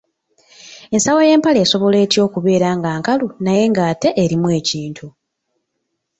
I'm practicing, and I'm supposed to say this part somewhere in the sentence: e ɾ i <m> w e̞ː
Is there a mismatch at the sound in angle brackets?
no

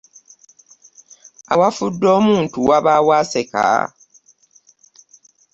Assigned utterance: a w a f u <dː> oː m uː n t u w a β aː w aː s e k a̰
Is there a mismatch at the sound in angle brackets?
no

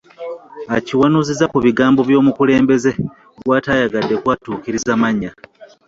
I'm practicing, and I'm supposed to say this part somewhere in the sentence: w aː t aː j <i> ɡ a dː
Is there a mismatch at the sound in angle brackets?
yes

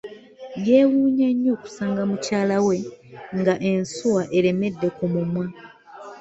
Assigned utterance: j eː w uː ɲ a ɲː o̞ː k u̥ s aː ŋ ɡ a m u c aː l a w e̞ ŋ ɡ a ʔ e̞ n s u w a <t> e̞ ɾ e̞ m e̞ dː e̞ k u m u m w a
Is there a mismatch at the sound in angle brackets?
yes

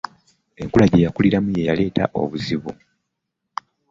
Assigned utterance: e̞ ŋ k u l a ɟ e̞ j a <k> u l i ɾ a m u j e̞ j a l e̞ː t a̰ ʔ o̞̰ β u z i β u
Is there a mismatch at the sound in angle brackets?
no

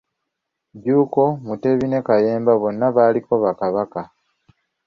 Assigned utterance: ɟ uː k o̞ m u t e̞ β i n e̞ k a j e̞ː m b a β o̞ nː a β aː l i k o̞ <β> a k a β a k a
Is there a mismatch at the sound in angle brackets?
no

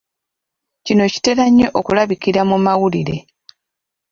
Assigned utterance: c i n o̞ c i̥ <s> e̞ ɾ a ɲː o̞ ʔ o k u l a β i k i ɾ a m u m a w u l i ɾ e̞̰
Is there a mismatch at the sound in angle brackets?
yes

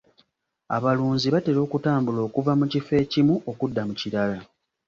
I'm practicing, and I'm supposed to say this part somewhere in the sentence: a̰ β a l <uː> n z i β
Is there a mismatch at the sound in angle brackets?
no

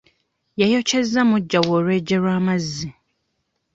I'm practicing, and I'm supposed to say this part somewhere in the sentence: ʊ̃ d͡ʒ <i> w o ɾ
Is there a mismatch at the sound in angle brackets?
yes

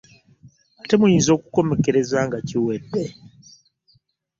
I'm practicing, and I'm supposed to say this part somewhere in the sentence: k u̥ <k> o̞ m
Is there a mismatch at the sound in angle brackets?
no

